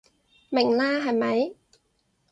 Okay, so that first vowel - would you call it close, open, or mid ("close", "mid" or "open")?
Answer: close